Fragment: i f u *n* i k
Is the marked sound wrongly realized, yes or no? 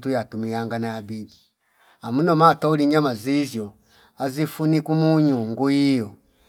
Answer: no